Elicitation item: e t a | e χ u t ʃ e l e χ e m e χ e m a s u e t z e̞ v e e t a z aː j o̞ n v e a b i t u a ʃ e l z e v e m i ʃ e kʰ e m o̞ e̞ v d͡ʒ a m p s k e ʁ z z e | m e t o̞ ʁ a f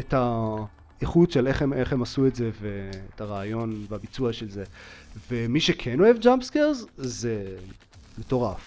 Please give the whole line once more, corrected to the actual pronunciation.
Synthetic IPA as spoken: e t a | e χ u t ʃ e l e χ e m e χ e m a s u e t z e̞ v e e t a ʁ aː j o̞ n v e a b i t͡s u a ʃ e l z e v e m i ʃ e kʰ e n o̞ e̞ v d͡ʒ a m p s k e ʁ z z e | m e t o̞ ʁ a f